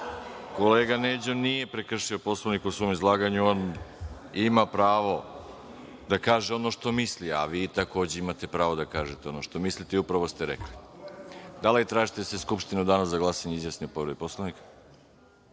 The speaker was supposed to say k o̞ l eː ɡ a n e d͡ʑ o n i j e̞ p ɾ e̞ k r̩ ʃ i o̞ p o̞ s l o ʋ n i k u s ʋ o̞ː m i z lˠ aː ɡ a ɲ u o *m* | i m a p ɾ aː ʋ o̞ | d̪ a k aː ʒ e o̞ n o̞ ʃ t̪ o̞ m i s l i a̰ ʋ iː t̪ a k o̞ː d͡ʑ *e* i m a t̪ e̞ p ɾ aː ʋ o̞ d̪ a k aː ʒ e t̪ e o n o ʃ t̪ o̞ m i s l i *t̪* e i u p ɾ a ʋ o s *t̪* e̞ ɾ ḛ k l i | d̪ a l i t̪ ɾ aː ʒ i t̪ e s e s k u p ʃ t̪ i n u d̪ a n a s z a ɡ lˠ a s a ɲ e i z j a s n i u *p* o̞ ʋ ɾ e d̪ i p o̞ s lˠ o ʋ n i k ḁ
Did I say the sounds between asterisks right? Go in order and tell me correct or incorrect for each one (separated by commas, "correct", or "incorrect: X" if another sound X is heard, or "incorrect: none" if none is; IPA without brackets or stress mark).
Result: incorrect: n, correct, correct, correct, correct